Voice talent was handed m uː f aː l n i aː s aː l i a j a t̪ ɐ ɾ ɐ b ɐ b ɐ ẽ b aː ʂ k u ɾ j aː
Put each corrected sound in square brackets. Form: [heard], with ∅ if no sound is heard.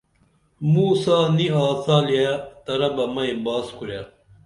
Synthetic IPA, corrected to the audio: m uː [s] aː [∅] n i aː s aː l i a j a t̪ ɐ ɾ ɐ b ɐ [m] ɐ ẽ b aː [s] k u ɾ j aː